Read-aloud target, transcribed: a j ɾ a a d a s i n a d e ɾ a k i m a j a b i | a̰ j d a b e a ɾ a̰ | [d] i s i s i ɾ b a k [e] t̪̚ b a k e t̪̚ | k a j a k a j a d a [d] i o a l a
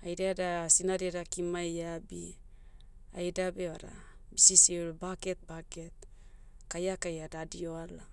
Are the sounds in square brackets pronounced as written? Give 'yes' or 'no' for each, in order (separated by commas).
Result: no, yes, yes